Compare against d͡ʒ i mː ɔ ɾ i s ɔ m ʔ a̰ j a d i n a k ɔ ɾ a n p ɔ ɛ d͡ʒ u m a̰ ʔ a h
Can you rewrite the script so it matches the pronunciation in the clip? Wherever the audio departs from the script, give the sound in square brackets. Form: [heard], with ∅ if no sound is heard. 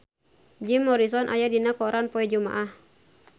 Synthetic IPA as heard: d͡ʒ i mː ɔ ɾ i s ɔ [n] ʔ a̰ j a d i n a k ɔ ɾ a n p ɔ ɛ d͡ʒ u m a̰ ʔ a h